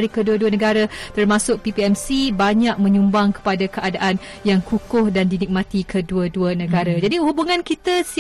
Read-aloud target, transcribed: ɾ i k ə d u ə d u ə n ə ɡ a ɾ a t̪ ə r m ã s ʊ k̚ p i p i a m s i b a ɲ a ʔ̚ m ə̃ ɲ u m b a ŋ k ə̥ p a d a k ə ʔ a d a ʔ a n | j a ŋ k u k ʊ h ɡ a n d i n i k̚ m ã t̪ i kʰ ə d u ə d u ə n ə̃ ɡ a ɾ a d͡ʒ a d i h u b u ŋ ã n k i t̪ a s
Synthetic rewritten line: ɾ i k ə d u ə d u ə n ə ɡ a ɾ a t̪ ə r m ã s ʊ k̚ p i p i ɛ m s i b a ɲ a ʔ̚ m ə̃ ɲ u m b a ŋ k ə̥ p a d a k ə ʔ a d a ʔ a n | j a ŋ k u k ʊ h d a n d i n i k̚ m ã t̪ i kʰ ə d u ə d u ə n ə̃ ɡ a ɾ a d͡ʒ a d i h u b u ŋ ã n k i t̪ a s